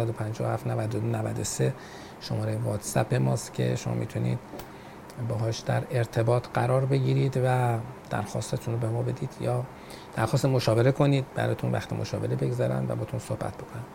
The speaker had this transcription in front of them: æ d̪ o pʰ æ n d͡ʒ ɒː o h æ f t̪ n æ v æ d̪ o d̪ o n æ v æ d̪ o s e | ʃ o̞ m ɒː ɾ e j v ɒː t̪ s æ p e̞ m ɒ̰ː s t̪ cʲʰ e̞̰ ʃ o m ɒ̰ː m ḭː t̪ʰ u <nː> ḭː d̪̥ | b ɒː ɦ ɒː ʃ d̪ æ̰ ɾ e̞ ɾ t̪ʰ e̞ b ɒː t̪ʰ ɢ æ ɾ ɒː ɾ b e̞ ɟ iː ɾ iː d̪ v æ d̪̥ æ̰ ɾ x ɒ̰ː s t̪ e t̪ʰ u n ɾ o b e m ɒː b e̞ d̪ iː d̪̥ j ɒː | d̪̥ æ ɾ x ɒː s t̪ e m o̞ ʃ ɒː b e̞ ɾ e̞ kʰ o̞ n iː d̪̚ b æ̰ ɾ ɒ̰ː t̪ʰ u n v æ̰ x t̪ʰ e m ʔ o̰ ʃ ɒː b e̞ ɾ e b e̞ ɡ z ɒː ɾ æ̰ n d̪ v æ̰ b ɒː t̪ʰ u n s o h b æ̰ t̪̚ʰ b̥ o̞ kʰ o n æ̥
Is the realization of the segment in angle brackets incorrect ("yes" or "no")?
yes